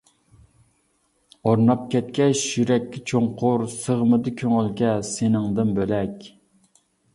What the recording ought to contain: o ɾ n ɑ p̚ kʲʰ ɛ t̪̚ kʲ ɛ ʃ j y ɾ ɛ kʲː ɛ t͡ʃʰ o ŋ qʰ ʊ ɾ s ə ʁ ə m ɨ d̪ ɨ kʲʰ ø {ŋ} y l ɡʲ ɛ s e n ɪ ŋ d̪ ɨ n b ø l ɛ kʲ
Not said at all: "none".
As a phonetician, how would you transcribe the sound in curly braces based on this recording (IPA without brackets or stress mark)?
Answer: ŋ